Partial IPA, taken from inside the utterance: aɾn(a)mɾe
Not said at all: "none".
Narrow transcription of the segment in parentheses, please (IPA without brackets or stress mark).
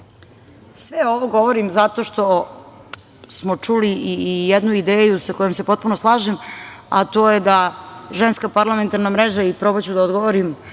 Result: a